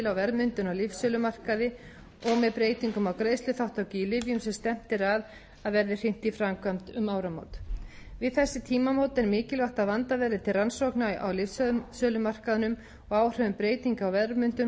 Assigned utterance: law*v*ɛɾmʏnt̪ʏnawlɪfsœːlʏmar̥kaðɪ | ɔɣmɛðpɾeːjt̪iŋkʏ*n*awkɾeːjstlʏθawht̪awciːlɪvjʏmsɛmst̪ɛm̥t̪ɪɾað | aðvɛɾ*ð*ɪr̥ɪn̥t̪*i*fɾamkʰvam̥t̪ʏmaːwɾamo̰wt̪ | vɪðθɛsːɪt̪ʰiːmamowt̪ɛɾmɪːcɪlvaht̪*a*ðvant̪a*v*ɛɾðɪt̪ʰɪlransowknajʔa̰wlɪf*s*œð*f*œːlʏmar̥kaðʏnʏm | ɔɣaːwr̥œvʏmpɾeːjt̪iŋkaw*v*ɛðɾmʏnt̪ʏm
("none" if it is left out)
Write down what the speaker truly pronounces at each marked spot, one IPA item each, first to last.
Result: v, m, ð, i, a, v, s, s, v

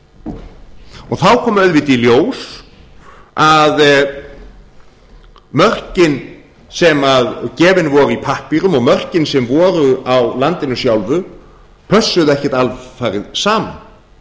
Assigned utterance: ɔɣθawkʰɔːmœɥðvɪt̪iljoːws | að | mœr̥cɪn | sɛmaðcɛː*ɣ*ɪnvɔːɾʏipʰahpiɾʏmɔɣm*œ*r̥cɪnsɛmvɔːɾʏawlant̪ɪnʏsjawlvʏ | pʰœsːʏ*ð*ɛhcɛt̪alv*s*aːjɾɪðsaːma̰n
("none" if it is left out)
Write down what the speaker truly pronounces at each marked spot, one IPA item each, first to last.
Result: v, œ, ð, f

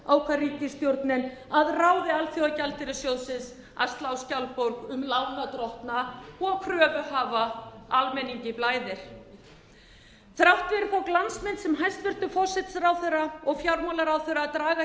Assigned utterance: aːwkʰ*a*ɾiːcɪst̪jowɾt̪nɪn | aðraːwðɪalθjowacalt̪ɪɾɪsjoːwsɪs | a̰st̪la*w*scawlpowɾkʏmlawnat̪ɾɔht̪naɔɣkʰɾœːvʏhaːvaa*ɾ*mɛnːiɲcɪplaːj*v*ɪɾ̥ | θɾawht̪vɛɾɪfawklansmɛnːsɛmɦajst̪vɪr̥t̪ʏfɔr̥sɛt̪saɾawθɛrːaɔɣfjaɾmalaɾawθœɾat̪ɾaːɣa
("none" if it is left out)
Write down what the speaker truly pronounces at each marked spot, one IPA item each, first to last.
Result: a, w, l, ð

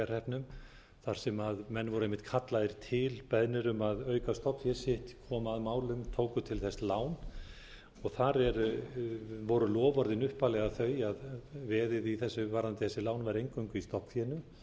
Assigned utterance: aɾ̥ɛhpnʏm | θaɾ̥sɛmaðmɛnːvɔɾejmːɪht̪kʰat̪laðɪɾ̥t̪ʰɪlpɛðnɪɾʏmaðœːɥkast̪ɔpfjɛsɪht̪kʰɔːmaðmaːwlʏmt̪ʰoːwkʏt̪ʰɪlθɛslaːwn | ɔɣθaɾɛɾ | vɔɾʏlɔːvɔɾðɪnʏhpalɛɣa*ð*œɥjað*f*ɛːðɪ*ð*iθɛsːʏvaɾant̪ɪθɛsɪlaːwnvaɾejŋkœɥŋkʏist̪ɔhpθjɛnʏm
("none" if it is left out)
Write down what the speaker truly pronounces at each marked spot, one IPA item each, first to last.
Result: θ, v, ð

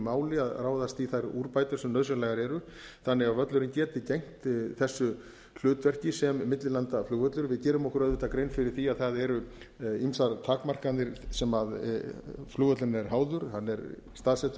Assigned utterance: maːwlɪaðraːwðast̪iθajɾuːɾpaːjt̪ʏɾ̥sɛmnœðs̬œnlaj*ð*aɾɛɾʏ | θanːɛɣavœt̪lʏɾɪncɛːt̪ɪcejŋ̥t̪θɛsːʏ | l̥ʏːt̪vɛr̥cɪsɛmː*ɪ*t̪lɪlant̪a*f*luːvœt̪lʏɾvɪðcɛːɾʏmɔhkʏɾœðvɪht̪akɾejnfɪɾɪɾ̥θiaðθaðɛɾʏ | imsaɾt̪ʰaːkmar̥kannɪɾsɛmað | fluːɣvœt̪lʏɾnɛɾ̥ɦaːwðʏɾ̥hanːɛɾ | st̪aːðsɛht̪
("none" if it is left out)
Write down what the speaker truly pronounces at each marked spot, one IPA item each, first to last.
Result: ɣ, ɪ, f

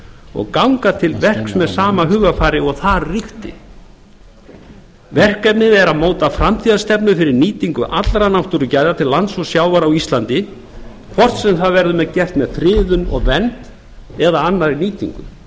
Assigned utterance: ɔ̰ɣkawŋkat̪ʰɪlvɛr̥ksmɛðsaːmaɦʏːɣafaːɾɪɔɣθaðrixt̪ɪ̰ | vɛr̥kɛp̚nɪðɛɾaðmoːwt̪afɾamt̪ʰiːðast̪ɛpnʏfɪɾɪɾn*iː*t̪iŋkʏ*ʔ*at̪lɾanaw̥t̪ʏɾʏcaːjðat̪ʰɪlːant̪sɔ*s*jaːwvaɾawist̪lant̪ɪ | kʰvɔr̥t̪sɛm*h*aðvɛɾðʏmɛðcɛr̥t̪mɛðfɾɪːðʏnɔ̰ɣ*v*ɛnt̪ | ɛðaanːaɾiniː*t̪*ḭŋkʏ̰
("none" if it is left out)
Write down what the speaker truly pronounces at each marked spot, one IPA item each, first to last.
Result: iː, ʔ, s, θ, v, t̪

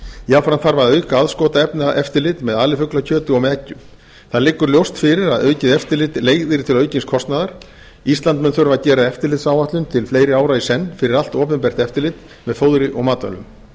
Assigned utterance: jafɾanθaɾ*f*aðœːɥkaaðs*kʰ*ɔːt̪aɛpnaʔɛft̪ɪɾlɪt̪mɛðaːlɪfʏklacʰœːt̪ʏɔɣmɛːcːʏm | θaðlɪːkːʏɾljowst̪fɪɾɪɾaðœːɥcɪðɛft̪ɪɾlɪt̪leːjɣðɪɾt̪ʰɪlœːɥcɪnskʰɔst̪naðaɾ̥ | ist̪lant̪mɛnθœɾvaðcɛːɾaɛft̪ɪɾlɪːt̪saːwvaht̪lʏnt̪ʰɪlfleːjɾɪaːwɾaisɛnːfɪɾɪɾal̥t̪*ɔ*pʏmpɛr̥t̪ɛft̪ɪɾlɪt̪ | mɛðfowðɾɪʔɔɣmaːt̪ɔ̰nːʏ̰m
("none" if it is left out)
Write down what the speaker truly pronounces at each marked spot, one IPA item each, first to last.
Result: v, k, ɔː

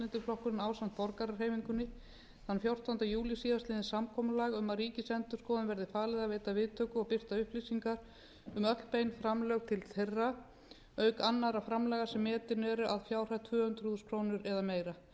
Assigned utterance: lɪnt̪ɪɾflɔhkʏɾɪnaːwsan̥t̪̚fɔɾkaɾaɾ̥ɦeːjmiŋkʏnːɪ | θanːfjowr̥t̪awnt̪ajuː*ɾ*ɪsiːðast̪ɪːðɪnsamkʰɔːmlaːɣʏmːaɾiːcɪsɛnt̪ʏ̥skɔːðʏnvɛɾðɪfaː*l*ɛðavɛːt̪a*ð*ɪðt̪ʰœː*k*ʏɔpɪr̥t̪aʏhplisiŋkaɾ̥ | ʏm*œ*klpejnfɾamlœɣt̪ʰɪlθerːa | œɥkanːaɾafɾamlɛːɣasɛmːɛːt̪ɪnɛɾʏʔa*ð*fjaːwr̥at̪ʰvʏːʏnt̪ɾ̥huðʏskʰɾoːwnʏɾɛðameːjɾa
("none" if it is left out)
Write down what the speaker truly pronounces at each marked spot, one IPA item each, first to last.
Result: l, l, v, k, œ, ð

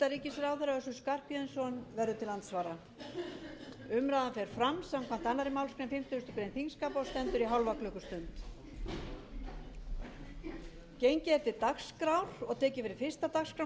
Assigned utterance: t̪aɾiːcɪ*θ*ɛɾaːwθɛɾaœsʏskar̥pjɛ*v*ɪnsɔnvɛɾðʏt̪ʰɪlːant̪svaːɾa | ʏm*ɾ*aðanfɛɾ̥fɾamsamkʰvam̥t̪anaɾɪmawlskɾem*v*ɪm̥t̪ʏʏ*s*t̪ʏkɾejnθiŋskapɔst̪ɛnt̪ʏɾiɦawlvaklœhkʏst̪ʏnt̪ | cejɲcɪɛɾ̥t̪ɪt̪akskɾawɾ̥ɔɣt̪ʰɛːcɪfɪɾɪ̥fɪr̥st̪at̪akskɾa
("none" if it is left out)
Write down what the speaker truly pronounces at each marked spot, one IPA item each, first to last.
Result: s, ð, ɾ, f, s

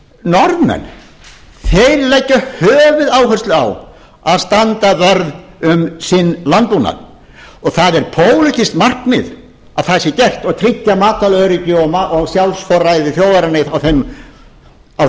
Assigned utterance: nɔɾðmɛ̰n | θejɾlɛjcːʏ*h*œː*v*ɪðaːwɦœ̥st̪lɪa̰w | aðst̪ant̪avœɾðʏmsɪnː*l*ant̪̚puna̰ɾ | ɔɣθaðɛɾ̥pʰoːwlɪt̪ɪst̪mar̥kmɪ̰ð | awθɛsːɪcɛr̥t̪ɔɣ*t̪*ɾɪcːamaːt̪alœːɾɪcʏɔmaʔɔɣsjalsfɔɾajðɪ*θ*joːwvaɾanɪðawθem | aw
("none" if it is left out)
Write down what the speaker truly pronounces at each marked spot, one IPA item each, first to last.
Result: h, v, l, t̪ʰ, θ

